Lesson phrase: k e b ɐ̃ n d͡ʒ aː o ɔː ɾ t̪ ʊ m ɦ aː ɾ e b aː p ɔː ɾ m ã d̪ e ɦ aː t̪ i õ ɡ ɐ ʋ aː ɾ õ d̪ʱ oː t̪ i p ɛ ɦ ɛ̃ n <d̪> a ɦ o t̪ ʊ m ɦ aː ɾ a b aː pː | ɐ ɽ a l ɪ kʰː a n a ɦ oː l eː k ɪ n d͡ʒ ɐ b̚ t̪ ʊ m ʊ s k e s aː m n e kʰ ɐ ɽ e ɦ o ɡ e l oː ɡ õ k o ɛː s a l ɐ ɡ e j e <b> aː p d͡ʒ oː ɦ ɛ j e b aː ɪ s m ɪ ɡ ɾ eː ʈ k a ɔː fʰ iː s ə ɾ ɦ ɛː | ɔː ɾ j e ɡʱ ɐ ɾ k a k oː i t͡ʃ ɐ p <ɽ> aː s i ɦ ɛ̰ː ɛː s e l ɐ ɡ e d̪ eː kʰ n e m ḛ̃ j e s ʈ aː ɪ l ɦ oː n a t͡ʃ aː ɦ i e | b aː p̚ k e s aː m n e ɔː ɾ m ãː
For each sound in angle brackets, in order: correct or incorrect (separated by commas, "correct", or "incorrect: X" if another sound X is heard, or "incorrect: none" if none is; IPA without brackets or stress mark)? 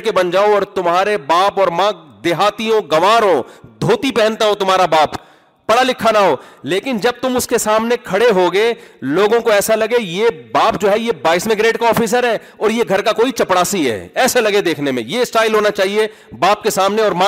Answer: incorrect: t̪, correct, correct